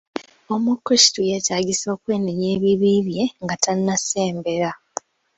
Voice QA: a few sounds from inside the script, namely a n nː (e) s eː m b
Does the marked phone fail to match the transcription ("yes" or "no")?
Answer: yes